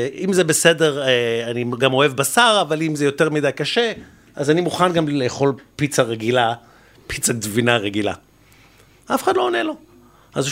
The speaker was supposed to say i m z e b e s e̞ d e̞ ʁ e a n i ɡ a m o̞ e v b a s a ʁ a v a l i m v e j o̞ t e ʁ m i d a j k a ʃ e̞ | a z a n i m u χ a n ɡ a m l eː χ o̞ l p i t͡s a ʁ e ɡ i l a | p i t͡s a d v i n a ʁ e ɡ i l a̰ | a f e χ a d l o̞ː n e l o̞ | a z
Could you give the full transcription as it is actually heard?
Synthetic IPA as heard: i m z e b e s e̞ d e̞ ʁ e a n i ɡ a m o̞ e v b a s a ʁ a v a l i m z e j o̞ t e ʁ m i d a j k a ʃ e̞ | a z a n i m u χ a n ɡ a m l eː χ o̞ l p i t͡s a ʁ e ɡ i l a | p i t͡s a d v i n a ʁ e ɡ i l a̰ | a f e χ a d l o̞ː n e l o̞ | a z